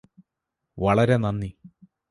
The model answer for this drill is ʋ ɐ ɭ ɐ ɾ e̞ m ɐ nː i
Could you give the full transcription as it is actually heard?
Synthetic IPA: ʋ ɐ ɭ ɐ ɾ e̞ n ɐ nː i